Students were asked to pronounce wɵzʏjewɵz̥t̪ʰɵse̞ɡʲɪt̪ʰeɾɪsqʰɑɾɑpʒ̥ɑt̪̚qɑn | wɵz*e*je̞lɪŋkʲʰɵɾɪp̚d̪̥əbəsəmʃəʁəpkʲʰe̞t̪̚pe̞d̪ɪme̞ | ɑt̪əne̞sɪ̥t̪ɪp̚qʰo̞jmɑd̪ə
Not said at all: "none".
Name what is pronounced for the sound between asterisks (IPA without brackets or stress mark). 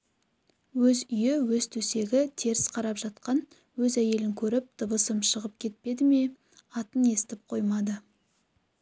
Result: æ